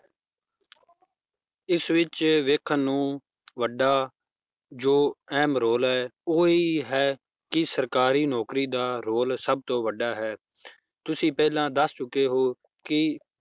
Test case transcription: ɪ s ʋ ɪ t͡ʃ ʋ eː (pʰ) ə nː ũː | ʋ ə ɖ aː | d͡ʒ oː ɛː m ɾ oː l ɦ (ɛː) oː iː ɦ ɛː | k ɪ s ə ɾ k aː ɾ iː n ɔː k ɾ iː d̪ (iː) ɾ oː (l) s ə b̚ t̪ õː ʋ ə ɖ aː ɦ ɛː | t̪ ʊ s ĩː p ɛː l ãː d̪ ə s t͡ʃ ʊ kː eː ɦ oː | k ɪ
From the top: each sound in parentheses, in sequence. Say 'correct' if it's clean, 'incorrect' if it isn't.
incorrect, correct, incorrect, correct

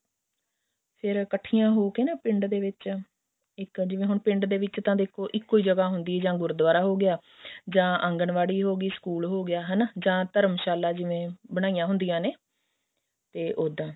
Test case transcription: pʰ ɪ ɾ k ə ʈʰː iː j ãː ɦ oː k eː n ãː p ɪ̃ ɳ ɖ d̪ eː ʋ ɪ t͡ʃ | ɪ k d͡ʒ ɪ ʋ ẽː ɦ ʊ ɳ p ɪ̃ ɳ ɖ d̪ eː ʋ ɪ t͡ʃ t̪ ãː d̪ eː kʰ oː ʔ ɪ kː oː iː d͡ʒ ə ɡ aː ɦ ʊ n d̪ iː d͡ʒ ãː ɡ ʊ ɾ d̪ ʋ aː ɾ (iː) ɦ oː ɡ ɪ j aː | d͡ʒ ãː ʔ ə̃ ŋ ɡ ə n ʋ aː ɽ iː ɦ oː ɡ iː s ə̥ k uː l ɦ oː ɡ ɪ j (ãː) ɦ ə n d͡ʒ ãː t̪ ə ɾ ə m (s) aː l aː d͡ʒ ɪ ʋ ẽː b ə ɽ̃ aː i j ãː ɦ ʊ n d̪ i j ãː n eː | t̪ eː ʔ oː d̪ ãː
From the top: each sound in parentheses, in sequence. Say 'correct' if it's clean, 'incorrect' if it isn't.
incorrect, incorrect, incorrect

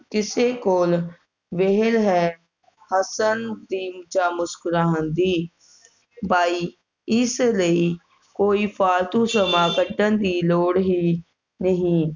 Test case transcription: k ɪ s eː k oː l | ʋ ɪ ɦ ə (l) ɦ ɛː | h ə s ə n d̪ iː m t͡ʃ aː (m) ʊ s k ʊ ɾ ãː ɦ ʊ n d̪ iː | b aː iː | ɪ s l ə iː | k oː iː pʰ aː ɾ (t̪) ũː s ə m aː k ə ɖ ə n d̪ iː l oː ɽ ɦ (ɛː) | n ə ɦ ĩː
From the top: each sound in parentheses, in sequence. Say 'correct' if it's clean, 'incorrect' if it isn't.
correct, correct, correct, incorrect

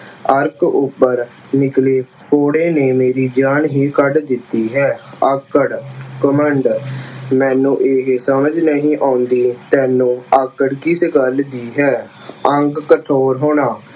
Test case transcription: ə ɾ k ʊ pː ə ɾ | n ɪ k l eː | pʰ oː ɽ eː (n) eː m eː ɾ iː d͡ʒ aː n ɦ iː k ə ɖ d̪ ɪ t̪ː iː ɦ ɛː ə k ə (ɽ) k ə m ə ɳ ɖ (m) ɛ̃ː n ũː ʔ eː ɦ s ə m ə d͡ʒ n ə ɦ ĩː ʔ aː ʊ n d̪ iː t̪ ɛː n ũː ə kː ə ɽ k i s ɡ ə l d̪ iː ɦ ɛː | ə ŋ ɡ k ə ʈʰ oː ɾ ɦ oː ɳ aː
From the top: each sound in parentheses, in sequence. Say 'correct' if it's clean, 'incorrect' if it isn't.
correct, correct, correct

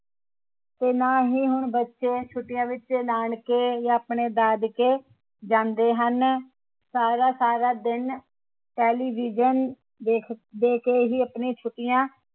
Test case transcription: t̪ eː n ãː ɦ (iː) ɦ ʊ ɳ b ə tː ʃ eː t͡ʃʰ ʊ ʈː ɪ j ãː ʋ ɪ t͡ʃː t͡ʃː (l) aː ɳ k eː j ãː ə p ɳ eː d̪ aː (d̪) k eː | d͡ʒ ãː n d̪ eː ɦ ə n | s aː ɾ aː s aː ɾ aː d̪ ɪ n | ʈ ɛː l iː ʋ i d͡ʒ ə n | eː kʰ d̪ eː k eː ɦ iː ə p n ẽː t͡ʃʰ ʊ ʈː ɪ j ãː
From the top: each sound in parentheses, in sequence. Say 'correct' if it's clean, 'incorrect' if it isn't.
correct, correct, correct

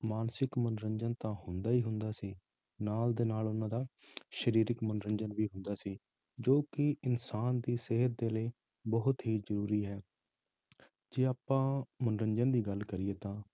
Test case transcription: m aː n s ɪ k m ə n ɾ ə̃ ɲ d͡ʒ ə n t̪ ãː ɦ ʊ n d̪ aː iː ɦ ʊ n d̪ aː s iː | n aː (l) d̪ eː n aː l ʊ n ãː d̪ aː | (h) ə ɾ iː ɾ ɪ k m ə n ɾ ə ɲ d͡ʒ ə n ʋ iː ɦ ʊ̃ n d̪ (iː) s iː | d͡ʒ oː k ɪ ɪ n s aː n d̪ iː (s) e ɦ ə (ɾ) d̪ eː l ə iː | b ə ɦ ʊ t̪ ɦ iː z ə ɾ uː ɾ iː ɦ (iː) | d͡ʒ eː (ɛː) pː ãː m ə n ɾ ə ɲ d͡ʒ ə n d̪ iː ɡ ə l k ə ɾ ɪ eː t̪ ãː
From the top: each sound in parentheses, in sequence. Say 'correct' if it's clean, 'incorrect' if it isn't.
correct, incorrect, incorrect, correct, correct, incorrect, incorrect

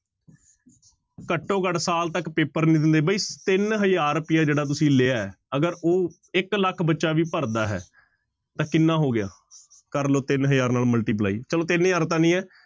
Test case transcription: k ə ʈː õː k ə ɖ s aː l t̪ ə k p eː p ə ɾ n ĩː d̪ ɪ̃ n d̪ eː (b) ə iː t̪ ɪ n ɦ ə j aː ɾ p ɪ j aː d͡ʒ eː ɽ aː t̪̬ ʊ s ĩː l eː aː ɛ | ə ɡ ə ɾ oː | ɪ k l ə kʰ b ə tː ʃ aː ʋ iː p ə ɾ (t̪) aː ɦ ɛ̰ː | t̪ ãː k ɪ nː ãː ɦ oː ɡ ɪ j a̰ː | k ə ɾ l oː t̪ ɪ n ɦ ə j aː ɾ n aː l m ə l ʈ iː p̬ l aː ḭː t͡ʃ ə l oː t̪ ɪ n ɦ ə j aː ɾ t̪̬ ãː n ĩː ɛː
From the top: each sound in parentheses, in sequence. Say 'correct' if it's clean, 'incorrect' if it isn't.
correct, incorrect

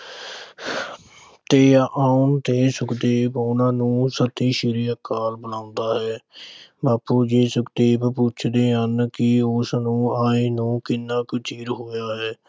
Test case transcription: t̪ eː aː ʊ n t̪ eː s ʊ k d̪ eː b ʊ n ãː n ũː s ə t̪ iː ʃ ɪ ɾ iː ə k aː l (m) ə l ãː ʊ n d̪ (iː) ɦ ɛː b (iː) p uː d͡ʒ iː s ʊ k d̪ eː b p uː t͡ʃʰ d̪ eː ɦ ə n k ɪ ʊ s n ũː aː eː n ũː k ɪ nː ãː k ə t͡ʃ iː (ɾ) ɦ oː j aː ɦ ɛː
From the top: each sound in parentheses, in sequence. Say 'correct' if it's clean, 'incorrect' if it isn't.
incorrect, incorrect, incorrect, correct

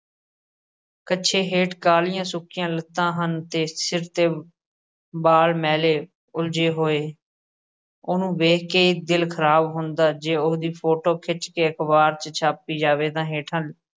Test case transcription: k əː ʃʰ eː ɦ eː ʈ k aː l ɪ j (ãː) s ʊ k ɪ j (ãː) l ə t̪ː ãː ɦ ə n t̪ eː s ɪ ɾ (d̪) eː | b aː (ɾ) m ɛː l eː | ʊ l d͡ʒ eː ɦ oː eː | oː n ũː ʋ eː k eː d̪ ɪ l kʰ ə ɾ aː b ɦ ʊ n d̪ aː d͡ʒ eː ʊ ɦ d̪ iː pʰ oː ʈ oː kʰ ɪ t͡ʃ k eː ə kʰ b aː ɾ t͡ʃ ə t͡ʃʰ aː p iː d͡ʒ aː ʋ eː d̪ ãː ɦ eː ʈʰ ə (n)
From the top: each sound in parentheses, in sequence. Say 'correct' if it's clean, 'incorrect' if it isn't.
correct, correct, incorrect, incorrect, correct

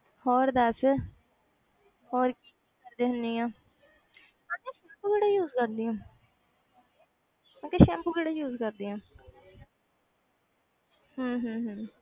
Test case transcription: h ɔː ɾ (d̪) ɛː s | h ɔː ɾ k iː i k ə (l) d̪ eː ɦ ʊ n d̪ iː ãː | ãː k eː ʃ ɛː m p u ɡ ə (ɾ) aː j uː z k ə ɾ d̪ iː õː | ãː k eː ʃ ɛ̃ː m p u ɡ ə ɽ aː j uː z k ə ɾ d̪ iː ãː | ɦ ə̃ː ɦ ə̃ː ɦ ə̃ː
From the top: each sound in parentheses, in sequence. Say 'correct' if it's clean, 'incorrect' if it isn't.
correct, incorrect, incorrect

